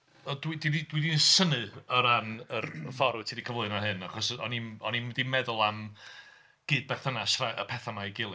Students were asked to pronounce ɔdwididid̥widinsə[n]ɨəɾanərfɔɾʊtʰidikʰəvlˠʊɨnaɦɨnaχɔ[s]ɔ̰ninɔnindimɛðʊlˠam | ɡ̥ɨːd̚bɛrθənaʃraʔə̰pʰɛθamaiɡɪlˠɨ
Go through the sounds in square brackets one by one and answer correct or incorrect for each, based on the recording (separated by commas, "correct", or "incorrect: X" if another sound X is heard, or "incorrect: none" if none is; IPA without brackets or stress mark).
correct, correct